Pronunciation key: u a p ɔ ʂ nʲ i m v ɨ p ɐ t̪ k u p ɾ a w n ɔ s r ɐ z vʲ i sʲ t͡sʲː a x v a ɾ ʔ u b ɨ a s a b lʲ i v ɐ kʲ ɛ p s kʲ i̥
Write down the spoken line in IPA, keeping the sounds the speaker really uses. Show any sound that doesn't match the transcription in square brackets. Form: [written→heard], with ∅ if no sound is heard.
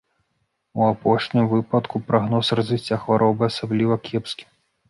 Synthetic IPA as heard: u a p ɔ ʂ nʲ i m v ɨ p ɐ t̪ k u p ɾ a [w→ɣ] n ɔ s r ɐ z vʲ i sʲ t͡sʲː a x v a ɾ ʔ [u→ɔ] b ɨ a s a b lʲ i v ɐ kʲ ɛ p s kʲ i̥